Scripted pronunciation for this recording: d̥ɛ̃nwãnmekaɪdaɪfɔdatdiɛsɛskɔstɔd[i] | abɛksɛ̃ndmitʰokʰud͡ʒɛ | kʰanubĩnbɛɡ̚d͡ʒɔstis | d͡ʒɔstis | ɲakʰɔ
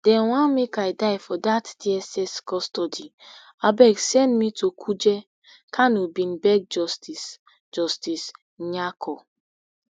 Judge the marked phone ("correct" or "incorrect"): correct